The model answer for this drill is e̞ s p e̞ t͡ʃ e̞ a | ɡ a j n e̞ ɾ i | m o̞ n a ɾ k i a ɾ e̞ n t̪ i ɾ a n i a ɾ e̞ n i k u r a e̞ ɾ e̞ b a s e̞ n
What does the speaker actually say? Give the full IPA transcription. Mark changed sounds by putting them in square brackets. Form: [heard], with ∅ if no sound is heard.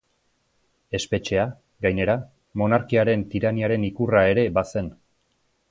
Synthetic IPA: e̞ s p e̞ t͡ʃ e̞ a | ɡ a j n e̞ ɾ [a] | m o̞ n a ɾ k i a ɾ e̞ n t̪ i ɾ a n i a ɾ e̞ n i k u r a e̞ ɾ e̞ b a s e̞ n